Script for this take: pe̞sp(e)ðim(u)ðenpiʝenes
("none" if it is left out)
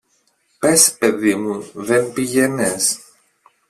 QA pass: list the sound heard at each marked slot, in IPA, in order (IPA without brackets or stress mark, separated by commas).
e, u